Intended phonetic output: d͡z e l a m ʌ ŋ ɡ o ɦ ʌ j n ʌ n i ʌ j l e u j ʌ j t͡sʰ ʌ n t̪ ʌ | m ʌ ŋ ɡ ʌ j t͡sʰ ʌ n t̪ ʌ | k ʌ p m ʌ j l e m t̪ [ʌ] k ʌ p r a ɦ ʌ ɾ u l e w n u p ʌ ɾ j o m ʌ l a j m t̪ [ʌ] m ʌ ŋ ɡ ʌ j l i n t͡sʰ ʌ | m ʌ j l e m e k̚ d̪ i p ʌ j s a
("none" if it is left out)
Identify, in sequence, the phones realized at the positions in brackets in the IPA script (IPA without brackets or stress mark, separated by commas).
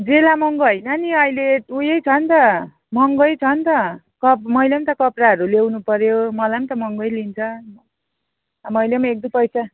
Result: ʌ, ʌ